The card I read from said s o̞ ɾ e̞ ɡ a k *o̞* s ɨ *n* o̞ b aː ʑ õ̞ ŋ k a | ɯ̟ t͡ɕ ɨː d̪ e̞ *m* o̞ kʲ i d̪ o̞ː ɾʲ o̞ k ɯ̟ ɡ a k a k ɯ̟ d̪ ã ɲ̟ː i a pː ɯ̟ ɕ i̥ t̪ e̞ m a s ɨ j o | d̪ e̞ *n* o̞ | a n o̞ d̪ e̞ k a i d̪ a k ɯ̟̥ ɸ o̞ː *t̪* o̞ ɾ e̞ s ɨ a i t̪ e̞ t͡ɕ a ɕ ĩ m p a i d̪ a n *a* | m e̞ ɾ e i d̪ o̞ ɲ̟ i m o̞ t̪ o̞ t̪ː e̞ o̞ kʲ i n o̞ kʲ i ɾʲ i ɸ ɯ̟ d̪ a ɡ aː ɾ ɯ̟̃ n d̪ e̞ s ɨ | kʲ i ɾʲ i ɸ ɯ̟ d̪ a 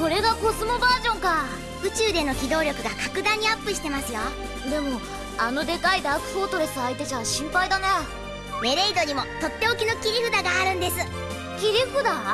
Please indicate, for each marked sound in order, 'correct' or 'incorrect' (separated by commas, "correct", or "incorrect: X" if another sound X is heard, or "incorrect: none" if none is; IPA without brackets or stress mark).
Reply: correct, incorrect: m, incorrect: n, incorrect: m, correct, incorrect: e